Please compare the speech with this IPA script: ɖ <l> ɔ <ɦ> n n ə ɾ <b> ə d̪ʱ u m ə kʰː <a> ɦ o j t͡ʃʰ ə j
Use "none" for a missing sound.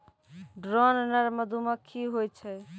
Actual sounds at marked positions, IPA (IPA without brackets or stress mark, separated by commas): ɾ, none, m, i